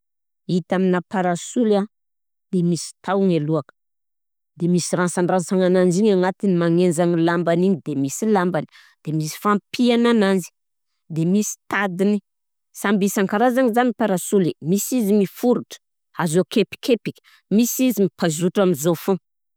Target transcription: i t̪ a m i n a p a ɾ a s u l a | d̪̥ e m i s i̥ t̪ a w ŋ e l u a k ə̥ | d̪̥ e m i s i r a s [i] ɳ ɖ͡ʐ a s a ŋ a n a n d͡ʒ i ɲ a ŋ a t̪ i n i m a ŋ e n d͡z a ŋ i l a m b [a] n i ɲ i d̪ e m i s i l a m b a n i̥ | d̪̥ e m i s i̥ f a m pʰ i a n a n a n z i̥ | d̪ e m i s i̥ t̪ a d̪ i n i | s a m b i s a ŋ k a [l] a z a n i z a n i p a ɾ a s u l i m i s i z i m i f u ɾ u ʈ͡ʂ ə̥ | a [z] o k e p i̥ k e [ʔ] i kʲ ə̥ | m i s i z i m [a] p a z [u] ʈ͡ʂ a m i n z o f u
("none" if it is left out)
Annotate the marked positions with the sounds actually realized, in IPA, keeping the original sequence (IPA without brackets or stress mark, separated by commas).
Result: a, a, ɾ, z, p, i, u